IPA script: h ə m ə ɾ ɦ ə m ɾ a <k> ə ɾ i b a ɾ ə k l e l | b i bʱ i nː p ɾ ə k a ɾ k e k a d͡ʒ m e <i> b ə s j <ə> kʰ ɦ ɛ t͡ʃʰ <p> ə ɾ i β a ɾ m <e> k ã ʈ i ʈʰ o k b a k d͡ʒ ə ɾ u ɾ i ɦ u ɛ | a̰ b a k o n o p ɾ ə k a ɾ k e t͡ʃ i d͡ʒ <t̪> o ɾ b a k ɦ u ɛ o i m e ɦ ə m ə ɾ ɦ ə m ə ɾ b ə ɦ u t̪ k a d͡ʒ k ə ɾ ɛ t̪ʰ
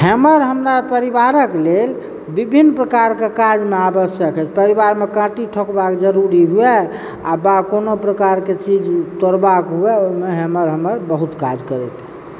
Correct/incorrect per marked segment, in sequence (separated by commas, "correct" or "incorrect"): incorrect, incorrect, correct, correct, correct, correct